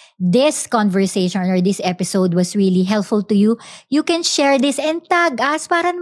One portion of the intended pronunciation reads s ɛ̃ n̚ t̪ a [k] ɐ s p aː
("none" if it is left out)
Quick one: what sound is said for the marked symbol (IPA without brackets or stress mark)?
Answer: ɡ